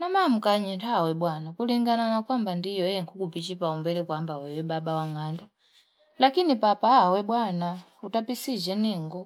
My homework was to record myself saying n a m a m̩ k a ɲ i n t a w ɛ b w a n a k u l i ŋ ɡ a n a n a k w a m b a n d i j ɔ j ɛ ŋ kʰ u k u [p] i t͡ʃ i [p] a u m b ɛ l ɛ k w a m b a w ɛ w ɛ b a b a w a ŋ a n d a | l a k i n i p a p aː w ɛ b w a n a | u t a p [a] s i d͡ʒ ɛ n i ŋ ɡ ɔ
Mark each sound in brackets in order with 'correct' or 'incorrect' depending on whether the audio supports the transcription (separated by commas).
correct, correct, incorrect